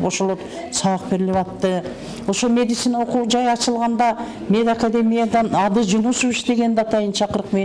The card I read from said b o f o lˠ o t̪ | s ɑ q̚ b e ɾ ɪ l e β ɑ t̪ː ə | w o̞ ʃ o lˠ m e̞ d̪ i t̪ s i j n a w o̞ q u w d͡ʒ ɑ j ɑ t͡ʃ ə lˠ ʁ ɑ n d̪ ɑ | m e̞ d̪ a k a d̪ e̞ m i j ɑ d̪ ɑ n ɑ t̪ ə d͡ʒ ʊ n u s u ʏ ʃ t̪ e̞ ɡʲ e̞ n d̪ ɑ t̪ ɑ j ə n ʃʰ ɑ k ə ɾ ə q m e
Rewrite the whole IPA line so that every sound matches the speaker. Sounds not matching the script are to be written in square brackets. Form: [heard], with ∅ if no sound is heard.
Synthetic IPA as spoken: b o [ʃ] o lˠ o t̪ | s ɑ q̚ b e ɾ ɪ l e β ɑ t̪ː ə | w o̞ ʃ o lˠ m e̞ d̪ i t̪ s i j n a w o̞ q u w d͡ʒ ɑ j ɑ t͡ʃ ə lˠ ʁ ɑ n d̪ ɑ | m e̞ d̪ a k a d̪ e̞ m i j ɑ d̪ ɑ n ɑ [d̪] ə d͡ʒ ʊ n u s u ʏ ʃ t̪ e̞ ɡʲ e̞ n d̪ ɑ t̪ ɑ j ə n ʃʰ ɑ [q] ə ɾ ə q m e